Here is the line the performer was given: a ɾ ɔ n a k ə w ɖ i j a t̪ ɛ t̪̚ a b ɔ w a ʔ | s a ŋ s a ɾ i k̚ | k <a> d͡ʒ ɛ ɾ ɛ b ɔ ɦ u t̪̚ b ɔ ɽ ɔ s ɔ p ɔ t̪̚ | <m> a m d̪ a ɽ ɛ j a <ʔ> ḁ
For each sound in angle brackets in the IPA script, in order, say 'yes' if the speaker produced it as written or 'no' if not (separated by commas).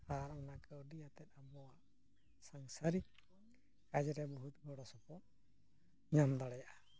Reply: yes, no, yes